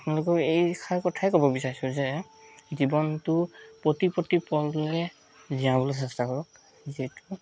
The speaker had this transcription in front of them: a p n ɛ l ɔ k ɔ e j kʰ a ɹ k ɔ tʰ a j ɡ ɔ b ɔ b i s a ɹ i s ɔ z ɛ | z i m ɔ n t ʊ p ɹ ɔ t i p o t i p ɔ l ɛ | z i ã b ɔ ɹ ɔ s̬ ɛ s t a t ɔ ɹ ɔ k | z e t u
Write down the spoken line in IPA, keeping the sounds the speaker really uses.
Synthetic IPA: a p n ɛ l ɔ k ɔ e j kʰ a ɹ k ɔ tʰ a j k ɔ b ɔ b i s a ɹ i s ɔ z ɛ | z i b ɔ n t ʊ p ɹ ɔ t i p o t i p ɔ l ɛ | z i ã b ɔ l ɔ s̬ ɛ s t a k ɔ ɹ ɔ k | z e t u